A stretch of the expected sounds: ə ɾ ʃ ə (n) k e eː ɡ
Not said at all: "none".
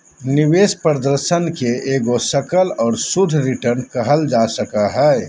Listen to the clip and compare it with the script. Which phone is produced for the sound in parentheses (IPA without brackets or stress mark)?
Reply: n